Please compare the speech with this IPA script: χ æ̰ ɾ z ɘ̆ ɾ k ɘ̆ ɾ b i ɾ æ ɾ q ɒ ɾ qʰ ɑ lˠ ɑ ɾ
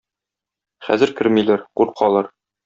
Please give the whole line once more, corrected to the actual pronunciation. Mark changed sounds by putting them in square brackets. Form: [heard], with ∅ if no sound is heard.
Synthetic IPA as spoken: χ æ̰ [∅] z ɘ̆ ɾ k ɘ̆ ɾ [m] i [l] æ ɾ q [u] ɾ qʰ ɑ lˠ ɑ ɾ